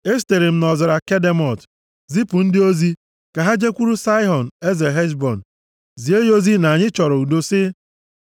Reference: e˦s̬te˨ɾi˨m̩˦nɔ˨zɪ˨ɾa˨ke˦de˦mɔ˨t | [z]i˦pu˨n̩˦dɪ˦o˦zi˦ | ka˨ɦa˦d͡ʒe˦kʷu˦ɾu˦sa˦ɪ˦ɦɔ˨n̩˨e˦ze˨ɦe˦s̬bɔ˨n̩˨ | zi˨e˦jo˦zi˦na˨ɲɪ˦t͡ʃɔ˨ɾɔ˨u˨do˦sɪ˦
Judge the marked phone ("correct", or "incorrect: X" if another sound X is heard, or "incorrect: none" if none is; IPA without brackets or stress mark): correct